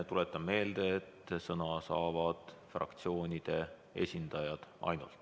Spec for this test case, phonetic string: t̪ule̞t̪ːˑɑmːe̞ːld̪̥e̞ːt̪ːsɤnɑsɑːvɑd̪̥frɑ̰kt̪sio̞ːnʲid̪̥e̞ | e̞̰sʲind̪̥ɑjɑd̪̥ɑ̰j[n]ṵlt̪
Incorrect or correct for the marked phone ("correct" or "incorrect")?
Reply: correct